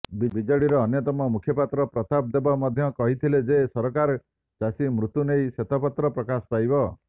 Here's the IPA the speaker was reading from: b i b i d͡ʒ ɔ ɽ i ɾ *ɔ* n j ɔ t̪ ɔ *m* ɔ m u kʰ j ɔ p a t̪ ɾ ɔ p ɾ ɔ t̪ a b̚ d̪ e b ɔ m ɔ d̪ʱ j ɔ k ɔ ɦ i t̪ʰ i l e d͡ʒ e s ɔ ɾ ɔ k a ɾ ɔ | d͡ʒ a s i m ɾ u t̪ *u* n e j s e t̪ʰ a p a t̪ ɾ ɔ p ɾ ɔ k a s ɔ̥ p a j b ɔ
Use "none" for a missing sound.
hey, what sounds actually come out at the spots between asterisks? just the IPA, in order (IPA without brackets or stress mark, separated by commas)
ɔː, m, u